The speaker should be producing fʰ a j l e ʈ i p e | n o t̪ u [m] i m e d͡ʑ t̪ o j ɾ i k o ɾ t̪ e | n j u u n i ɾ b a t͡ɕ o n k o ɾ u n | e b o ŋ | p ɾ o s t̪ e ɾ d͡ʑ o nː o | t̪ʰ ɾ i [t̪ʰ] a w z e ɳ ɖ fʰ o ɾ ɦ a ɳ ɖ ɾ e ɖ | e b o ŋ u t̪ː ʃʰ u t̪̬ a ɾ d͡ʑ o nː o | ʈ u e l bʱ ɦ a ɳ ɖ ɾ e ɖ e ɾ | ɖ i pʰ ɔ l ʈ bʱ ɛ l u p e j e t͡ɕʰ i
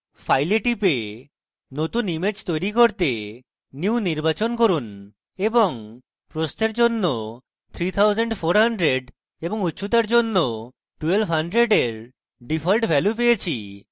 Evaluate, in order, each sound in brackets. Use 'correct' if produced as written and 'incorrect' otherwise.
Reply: incorrect, correct

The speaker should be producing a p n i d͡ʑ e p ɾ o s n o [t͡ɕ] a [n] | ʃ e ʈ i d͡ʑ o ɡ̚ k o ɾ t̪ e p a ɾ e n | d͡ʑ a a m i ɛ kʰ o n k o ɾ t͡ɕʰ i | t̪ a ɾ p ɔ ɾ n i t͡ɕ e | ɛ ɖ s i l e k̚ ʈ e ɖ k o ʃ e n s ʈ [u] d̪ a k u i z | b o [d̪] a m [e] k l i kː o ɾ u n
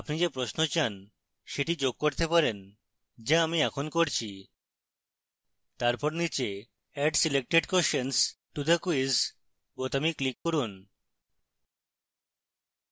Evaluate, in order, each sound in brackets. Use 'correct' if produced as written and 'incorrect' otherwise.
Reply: correct, correct, correct, incorrect, incorrect

